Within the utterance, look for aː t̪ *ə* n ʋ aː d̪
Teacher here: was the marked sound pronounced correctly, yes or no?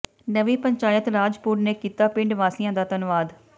yes